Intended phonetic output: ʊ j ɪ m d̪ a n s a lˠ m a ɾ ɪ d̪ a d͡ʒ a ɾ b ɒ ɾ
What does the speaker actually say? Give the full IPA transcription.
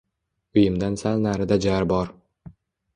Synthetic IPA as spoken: ʊ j ɪ m d̪ a n s a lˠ n a ɾ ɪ d̪ a d͡ʒ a ɾ b ɒ ɾ